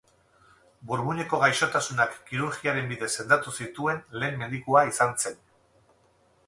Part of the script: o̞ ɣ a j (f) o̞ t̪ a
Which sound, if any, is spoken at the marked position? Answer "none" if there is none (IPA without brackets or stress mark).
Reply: ʃ